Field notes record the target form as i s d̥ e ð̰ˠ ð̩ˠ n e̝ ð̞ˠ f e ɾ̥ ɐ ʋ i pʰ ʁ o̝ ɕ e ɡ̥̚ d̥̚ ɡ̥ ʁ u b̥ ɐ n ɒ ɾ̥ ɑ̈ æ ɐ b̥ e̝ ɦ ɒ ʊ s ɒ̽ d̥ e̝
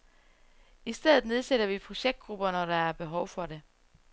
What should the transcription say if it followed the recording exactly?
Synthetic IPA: i s d̥ e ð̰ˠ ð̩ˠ n e̝ ð̞ˠ s e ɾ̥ ɐ ʋ i pʰ ʁ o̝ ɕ e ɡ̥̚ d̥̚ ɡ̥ ʁ u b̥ ɐ n ɒ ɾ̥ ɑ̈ æ ɐ b̥ e̝ ɦ ɒ ʊ f ɒ̽ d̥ e̝